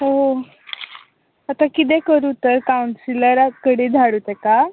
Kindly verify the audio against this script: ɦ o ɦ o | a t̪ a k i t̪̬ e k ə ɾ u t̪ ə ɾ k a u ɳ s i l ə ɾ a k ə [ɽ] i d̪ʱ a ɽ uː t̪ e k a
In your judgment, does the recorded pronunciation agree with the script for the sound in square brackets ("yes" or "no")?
yes